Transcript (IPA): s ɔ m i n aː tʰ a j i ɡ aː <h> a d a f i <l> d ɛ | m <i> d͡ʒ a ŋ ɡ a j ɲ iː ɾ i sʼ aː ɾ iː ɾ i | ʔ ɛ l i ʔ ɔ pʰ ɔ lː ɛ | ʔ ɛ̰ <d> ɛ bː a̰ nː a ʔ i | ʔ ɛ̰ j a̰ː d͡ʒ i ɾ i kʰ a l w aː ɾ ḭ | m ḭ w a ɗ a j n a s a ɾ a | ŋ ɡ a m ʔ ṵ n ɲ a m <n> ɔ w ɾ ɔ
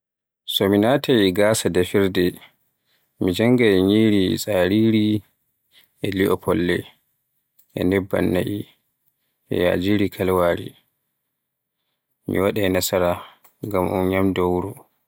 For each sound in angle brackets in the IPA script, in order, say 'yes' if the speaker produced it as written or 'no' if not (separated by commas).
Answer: no, no, yes, no, no